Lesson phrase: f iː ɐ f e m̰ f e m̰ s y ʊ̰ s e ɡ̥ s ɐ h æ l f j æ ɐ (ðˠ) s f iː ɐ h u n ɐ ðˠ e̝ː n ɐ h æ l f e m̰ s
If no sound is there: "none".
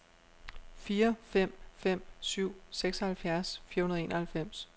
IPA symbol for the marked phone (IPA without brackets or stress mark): none